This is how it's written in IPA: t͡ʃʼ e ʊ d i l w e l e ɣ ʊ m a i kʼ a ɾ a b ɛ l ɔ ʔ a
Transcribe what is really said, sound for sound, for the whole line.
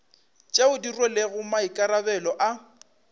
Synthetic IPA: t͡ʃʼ e ʊ d i r w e l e ɣ ʊ m a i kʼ a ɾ a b ɛ l ɔ ʔ a